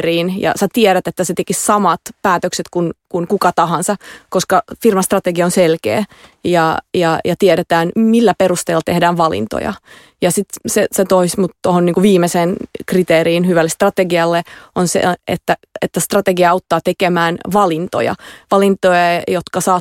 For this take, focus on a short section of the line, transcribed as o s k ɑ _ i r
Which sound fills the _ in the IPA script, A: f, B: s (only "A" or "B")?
A